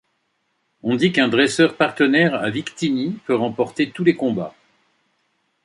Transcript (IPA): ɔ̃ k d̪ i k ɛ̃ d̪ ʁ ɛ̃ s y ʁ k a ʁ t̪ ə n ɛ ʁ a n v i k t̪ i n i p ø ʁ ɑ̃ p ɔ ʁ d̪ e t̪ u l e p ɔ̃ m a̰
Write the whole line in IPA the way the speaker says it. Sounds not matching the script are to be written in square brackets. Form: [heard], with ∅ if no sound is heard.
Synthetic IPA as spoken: ɔ̃ [∅] d̪ i k ɛ̃ d̪ ʁ [ɛ] s [œ] ʁ [p] a ʁ t̪ ə n ɛ ʁ a [∅] v i k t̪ i n i p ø ʁ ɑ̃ p ɔ ʁ [t̪] e t̪ u l e [k] ɔ̃ [b] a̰